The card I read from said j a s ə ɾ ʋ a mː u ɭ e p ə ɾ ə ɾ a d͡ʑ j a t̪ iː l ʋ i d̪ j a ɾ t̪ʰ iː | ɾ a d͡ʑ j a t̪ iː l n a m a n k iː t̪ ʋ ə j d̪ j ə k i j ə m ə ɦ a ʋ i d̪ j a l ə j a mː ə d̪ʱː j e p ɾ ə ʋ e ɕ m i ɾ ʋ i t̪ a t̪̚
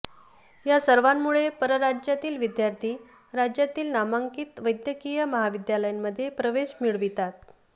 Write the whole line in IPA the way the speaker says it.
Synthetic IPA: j a s ə ɾ ʋ a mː u ɭ e p ə ɾ ə ɾ a d͡ʑ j a t̪ iː l ʋ i d̪ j a ɾ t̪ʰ iː | ɾ a d͡ʑ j a t̪ iː l n a m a ŋ k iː t̪ ʋ ə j d̪ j ə k i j ə m ə ɦ a ʋ i d̪ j a l ə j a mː ə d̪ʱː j e p ɾ ə ʋ e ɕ m i ɭ ʋ i t̪ a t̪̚